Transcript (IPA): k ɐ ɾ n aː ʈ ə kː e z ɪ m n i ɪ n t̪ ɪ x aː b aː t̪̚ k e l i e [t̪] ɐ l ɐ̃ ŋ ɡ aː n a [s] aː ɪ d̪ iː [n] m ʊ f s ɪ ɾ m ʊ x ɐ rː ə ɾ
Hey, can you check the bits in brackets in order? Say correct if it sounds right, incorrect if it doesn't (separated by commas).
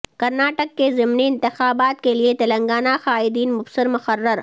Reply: correct, incorrect, correct